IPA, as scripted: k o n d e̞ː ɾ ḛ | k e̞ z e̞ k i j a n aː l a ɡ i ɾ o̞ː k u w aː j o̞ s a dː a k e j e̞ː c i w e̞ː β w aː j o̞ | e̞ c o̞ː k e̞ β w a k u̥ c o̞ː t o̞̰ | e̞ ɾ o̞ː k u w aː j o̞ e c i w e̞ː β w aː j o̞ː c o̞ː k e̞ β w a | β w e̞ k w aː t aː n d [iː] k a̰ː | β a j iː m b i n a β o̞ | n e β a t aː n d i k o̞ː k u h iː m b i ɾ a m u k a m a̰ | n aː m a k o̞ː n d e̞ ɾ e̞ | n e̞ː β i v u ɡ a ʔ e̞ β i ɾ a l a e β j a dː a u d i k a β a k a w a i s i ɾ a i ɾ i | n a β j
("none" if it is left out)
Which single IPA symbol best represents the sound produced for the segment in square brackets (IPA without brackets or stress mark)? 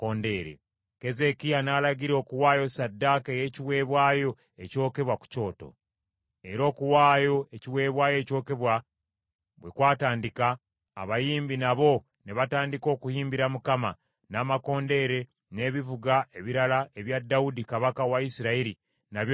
i